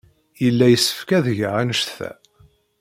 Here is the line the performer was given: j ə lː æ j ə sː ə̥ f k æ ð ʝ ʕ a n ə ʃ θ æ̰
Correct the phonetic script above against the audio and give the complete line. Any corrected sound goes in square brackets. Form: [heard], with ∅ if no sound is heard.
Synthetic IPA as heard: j ə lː æ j ə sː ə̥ f k æ ð ʝ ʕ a n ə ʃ θ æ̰